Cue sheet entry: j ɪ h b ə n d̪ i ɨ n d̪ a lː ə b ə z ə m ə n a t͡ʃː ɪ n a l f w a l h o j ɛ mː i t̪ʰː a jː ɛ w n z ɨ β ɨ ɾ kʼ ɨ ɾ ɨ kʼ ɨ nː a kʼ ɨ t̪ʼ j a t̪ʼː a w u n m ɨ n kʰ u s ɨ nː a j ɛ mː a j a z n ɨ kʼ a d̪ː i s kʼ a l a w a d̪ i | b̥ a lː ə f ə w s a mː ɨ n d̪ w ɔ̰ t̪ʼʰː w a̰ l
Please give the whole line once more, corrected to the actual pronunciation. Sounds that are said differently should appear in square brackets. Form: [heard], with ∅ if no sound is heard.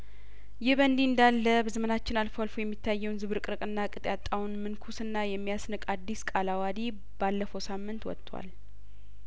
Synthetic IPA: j ɪ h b ə n d̪ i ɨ n d̪ a lː ə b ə z ə m ə n a t͡ʃː ɪ n a l f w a l [f] o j ɛ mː i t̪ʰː a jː ɛ w n z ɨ β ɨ ɾ kʼ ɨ ɾ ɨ kʼ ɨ nː a kʼ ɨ t̪ʼ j a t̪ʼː a w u n m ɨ n kʰ u s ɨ nː a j ɛ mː [i] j a [s] n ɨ kʼ a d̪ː i s kʼ a l a w a d̪ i | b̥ a lː ə f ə w s a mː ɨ n [t̪] w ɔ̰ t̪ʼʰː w a̰ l